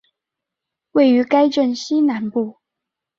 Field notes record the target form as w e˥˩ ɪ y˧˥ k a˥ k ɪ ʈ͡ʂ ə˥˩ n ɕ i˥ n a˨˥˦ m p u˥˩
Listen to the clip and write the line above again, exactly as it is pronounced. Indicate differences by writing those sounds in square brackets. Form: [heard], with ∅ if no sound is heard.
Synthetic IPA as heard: w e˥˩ ɪ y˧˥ k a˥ [∅] ɪ ʈ͡ʂ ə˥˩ n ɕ i˥ n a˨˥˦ [n] p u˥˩